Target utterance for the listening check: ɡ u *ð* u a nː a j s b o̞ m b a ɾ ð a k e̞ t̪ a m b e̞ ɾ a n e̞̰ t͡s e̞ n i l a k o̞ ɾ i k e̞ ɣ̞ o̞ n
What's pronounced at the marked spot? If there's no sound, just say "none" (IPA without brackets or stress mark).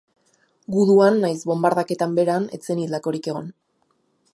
ð